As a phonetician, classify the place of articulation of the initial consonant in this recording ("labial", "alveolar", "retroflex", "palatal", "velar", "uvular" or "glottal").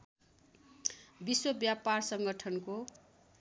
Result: labial